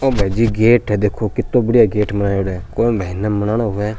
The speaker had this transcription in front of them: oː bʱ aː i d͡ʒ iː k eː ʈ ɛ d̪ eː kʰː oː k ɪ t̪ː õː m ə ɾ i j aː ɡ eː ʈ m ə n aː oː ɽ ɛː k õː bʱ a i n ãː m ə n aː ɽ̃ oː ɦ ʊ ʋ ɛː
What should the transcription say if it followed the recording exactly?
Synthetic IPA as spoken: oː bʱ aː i d͡ʒ iː ɡ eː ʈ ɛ d̪ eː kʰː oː k ɪ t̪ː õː b ə ɽ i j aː ɡ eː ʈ m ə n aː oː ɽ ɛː k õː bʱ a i n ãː m ə n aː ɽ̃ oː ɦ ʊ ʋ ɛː